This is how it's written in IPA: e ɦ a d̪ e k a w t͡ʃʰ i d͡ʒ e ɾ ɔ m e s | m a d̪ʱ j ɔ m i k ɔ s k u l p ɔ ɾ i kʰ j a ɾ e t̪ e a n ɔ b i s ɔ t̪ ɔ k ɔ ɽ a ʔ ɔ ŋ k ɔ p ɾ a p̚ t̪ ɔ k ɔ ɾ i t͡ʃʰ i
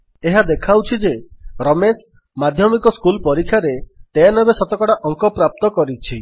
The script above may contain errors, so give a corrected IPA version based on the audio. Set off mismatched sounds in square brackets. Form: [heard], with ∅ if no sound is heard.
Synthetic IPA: e ɦ a d̪ e [kʰ] a w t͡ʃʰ i d͡ʒ e ɾ ɔ m e s | m a d̪ʱ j ɔ m i k ɔ s k u l p ɔ ɾ i kʰ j a ɾ e t̪ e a n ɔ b [e] s ɔ t̪ ɔ k ɔ ɽ a ʔ ɔ ŋ k ɔ p ɾ a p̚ t̪ ɔ k ɔ ɾ i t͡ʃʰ i